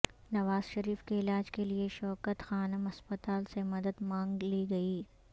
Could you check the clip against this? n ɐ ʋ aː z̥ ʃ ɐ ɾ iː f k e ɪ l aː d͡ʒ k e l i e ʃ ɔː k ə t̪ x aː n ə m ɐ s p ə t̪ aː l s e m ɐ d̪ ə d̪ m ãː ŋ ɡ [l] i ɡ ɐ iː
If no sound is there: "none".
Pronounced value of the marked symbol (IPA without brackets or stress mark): l